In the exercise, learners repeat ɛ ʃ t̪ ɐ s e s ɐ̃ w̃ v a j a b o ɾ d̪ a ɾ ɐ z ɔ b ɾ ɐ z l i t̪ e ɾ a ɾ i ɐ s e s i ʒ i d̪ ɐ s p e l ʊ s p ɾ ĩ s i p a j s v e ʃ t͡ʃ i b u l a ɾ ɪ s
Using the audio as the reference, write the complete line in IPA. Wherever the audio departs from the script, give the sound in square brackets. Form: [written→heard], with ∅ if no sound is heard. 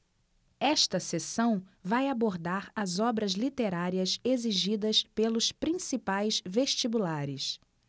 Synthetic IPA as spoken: ɛ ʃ t̪ ɐ s e s ɐ̃ w̃ v a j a b o ɾ d̪ a ɾ ɐ z ɔ b ɾ ɐ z l i t̪ e ɾ a ɾ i ɐ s e [s→z] i ʒ i d̪ ɐ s p e l ʊ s p ɾ ĩ s i p a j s v e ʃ t͡ʃ i b u l a ɾ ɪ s